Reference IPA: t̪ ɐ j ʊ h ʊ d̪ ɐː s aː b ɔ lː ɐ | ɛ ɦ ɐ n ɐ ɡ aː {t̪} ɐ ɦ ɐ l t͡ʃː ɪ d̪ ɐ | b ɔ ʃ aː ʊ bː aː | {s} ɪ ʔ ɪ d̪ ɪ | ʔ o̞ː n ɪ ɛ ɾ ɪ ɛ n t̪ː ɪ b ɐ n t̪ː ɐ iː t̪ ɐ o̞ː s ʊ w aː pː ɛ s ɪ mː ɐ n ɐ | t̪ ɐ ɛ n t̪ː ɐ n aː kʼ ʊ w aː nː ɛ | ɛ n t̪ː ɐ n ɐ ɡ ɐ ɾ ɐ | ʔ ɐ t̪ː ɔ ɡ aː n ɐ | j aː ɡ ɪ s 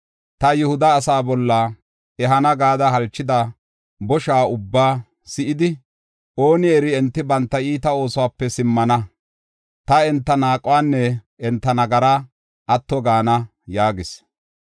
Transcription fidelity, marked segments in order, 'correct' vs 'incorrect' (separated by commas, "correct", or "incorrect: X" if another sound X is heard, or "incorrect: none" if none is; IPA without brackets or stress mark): incorrect: d̪, correct